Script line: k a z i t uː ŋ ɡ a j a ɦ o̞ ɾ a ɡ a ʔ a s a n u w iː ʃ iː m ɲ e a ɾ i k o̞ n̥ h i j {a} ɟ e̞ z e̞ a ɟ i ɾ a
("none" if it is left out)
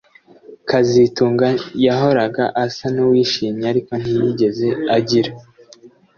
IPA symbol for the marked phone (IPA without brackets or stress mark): i